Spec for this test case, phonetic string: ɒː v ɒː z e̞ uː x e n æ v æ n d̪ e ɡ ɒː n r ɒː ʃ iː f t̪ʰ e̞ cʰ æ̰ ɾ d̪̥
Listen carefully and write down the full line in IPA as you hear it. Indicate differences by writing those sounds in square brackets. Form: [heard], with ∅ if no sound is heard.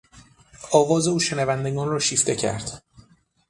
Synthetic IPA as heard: ɒː v ɒː z e̞ uː [ʃ] e n æ v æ n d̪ e ɡ ɒː n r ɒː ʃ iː f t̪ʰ e̞ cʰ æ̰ ɾ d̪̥